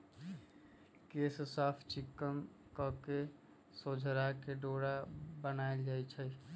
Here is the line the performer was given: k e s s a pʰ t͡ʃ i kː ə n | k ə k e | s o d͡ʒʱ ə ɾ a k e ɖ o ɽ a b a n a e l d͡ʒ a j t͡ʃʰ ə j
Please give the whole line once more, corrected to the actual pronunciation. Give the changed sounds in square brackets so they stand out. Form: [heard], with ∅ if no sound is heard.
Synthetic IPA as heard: k e s s a pʰ t͡ʃ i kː ə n | k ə k e | s o d͡ʒʱ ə ɾ a k e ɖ o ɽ a b [ə] n a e l d͡ʒ a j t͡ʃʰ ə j